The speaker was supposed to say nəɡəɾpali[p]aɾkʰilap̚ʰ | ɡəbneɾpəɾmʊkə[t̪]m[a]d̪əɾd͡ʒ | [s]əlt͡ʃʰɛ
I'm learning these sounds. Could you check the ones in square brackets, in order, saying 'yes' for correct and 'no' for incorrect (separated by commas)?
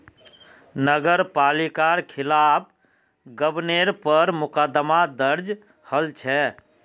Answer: no, no, yes, no